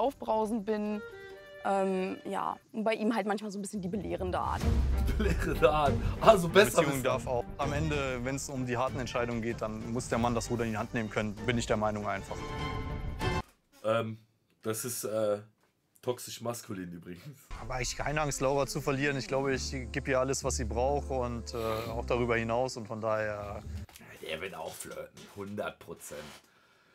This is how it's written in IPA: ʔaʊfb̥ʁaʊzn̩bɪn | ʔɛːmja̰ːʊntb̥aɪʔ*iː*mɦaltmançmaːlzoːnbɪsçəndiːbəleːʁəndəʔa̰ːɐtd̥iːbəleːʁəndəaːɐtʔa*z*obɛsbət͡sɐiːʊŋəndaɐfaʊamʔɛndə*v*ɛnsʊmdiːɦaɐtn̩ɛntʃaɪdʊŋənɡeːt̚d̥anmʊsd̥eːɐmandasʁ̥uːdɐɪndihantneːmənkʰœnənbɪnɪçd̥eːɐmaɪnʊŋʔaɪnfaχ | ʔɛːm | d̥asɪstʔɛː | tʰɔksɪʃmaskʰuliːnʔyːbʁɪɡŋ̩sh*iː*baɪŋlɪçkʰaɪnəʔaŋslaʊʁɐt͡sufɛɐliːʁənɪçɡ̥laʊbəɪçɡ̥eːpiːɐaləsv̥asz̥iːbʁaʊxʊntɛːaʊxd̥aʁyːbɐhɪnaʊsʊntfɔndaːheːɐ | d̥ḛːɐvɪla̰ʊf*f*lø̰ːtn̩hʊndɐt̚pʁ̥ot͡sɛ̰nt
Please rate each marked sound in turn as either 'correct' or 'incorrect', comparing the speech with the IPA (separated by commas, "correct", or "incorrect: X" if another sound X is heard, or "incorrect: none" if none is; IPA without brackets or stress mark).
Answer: correct, correct, correct, incorrect: aː, correct